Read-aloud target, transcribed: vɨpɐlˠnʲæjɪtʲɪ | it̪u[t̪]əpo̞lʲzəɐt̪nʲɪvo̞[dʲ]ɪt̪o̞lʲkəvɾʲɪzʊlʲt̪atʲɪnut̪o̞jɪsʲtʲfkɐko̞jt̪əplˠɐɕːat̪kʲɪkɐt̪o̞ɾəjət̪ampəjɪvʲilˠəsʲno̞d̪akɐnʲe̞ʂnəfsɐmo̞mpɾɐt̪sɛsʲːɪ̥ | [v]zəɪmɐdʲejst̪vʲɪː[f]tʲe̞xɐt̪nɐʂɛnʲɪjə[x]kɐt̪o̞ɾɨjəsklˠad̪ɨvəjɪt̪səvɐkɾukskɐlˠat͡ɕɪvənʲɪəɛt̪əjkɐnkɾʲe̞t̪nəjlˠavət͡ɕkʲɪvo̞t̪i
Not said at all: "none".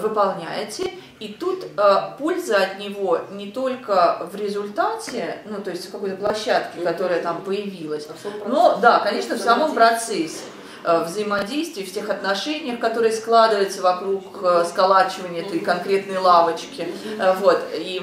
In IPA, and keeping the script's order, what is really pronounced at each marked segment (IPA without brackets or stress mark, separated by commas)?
t̪, nʲ, v, f, x